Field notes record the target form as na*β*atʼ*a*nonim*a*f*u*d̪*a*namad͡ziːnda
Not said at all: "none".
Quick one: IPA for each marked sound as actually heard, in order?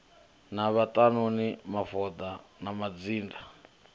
β, a, a, ɔ, a

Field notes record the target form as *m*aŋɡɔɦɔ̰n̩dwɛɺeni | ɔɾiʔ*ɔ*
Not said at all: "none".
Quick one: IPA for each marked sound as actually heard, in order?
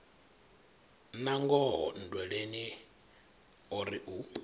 n, u

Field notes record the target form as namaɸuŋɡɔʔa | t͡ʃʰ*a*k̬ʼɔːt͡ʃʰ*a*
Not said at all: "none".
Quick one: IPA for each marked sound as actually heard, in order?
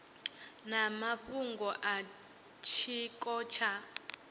i, a

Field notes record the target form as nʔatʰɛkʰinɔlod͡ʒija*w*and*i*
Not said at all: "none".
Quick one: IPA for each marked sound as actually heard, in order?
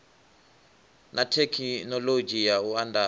u, a

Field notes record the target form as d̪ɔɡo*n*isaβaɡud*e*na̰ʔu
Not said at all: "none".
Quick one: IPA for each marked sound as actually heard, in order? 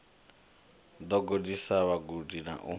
d, i

